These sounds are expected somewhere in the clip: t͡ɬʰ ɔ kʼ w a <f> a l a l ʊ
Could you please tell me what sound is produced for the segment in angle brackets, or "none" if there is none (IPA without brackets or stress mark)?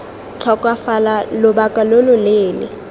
f